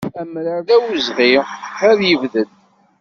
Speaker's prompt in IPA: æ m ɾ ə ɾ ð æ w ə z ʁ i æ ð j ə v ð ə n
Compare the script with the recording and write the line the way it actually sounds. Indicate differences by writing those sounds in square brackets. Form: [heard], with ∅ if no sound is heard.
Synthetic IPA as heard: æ m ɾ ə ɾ ð æ w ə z ʁ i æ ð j ə v ð ə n